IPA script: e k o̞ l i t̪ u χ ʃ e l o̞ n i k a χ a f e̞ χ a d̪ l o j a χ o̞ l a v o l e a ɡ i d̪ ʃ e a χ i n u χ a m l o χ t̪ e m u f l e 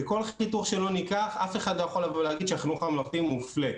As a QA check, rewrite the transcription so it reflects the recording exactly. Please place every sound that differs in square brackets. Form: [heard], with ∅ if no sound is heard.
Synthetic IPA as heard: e k o̞ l i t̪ u χ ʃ e l o̞ n i k a χ a f e̞ χ a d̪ l o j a χ o̞ l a v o l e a ɡ i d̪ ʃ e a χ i n u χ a m l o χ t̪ [i] m u f l e